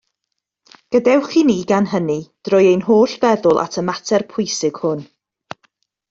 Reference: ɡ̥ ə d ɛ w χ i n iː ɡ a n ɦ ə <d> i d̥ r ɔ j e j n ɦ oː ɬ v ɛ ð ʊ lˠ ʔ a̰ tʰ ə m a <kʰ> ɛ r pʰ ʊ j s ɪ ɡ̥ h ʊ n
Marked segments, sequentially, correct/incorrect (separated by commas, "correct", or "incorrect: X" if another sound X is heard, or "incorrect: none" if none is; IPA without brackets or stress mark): incorrect: n, incorrect: tʰ